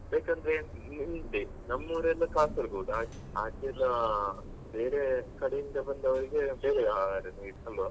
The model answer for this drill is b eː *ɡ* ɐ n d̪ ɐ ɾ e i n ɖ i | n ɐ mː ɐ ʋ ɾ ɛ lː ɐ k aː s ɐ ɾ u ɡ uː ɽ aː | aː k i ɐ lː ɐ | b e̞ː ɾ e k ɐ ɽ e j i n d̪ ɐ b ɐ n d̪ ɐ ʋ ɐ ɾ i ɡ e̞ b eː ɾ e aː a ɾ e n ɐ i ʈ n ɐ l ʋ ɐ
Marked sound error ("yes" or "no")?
yes